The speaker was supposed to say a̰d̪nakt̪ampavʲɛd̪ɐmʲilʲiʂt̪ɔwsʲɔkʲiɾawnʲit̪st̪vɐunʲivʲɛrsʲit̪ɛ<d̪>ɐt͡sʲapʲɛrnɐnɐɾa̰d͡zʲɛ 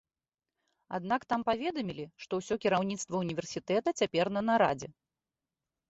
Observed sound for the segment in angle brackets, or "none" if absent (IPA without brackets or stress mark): t̪